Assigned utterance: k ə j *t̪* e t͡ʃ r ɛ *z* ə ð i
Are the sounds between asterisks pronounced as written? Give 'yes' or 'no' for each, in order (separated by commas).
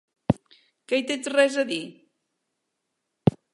yes, yes